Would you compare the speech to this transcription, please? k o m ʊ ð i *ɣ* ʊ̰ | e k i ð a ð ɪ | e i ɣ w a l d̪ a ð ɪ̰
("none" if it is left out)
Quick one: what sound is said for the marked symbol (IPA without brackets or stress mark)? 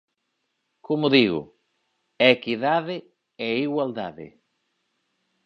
ɣ